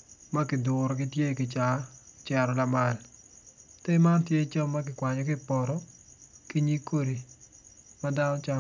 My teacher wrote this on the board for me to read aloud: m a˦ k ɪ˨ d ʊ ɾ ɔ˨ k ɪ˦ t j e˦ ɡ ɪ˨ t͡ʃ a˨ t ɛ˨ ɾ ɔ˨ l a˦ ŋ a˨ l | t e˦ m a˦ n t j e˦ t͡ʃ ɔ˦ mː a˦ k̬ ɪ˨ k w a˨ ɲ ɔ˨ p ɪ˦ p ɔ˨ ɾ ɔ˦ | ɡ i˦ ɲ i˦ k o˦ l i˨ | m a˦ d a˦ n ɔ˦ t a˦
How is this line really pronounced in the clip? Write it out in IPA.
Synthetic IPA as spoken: m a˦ k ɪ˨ d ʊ ɾ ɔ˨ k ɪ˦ t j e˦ k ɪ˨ t͡ʃ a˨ t͡ʃ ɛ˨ ɾ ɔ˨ l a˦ m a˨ l | t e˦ m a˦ n t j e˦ t͡ʃ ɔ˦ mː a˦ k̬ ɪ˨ k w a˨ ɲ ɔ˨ k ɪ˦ p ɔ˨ ɾ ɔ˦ | k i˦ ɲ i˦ k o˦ ɾ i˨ | m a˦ d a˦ n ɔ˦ t͡ʃ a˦